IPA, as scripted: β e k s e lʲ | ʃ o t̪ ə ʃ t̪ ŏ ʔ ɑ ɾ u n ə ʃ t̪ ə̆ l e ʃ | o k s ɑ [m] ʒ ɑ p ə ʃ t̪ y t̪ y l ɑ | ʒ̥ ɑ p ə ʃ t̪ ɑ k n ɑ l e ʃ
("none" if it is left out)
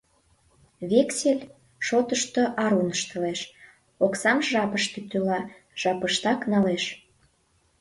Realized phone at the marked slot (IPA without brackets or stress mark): m